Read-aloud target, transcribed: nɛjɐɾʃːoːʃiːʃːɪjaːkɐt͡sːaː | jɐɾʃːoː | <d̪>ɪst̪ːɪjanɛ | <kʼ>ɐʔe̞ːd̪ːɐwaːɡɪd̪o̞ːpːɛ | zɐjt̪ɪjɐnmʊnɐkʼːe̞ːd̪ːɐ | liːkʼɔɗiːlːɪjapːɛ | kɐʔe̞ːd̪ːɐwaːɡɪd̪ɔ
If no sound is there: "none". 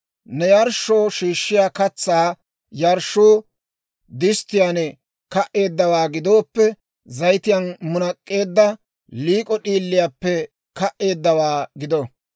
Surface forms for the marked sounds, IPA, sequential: d̪, k

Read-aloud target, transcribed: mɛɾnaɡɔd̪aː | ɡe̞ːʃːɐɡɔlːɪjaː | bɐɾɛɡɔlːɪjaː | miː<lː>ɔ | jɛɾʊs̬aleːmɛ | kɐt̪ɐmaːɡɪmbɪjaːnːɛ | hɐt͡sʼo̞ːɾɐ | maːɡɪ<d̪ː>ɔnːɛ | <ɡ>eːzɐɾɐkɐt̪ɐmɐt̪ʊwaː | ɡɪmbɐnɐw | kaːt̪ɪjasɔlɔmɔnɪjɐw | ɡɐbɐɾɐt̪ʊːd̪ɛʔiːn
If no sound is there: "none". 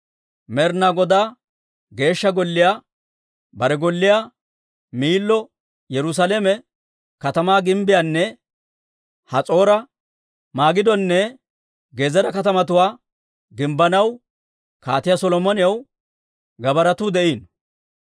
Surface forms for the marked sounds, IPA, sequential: lː, d̪, ɡ

